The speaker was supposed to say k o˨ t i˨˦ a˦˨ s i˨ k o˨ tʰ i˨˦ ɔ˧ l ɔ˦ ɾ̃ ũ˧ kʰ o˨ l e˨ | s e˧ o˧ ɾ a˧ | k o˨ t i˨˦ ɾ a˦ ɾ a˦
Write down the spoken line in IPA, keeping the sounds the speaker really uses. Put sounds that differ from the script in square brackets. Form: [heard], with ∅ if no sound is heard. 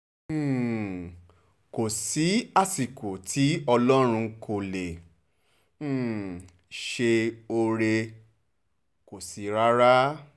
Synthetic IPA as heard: k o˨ [s] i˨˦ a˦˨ s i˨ k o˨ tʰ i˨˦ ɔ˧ l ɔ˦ ɾ̃ ũ˧ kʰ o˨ l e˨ | [ʃ] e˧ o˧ ɾ [e˧] | k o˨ [s] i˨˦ ɾ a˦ ɾ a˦